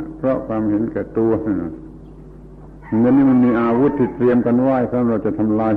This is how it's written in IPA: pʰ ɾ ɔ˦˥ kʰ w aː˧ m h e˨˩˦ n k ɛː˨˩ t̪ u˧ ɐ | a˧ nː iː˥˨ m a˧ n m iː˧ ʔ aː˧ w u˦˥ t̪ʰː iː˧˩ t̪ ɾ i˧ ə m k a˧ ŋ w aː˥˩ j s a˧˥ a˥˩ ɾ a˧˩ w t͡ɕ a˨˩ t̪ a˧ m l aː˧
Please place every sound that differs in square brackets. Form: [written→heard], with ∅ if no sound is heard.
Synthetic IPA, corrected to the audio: pʰ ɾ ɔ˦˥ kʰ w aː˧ m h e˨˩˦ n k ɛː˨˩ t̪ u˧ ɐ | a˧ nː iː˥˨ m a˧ n m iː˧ ʔ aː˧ w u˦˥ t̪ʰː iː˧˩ t̪ ɾ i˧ ə m k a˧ [ŋ→n] w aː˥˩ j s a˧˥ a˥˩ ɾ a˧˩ w t͡ɕ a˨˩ [t̪→t̪ʰ] a˧ m l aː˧